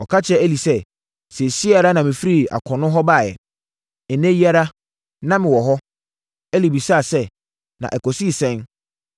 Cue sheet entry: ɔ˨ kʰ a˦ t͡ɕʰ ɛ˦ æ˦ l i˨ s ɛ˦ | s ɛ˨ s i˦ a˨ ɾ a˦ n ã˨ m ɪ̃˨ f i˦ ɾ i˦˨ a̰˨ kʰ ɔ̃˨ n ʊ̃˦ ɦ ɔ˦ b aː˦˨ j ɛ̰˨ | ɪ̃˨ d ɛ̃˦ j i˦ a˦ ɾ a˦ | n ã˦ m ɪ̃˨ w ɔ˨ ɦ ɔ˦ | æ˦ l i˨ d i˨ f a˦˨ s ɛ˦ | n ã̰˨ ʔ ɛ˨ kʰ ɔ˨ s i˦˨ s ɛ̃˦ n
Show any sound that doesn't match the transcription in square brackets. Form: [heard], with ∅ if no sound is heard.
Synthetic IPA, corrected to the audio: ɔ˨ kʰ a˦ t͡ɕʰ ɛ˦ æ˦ l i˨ s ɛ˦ | s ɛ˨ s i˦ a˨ ɾ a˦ n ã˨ m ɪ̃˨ f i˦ ɾ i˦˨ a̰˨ kʰ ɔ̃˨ n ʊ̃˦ ɦ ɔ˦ b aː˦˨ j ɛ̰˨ | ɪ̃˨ [n] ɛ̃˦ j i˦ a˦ ɾ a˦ | n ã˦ m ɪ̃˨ w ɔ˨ ɦ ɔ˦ | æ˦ l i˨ [b] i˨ [s] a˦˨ s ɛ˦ | n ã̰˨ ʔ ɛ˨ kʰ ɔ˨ s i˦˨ s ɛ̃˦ n